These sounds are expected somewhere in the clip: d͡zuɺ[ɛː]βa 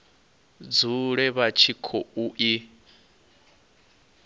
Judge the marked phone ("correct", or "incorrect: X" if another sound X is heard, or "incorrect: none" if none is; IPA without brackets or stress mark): incorrect: ɛ